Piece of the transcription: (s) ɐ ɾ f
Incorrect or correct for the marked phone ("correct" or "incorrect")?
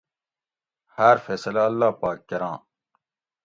incorrect